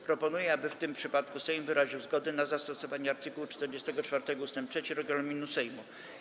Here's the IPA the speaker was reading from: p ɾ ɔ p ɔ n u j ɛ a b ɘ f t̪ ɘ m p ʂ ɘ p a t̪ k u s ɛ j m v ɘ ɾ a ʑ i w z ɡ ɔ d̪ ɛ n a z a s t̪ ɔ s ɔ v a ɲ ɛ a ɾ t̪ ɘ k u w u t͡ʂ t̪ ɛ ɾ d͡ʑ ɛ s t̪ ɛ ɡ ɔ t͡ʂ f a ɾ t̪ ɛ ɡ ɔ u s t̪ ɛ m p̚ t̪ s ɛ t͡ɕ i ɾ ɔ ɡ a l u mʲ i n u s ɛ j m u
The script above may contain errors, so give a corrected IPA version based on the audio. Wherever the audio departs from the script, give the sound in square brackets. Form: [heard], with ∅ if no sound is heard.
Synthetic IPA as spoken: p ɾ ɔ p ɔ n u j ɛ a b ɘ f t̪ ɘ m p ʂ ɘ p a t̪ k u s ɛ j m v ɘ ɾ a ʑ i w z ɡ ɔ d̪ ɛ n a z a s t̪ ɔ s ɔ v a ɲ ɛ a ɾ t̪ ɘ k u w u t͡ʂ t̪ ɛ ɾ d͡ʑ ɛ s t̪ ɛ ɡ ɔ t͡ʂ f a ɾ t̪ ɛ ɡ ɔ u s t̪ ɛ m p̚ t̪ [ʂ] ɛ t͡ɕ i ɾ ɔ ɡ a l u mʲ i n u s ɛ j m u